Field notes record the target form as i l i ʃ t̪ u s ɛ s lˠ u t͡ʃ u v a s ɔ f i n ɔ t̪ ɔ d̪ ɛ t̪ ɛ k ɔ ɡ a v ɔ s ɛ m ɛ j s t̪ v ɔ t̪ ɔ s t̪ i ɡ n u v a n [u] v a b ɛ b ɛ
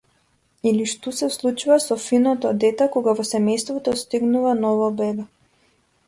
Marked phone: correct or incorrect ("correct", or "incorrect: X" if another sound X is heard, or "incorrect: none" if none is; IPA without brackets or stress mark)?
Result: incorrect: ɔ